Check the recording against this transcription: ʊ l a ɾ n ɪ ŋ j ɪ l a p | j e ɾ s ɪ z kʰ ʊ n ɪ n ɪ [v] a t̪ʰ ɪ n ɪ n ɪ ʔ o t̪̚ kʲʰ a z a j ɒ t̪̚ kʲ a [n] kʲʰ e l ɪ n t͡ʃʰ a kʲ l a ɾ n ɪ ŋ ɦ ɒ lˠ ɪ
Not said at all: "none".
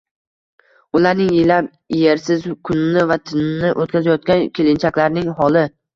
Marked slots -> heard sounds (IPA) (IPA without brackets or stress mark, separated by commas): v, n